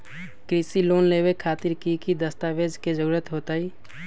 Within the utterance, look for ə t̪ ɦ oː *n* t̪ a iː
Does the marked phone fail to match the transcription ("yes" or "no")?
yes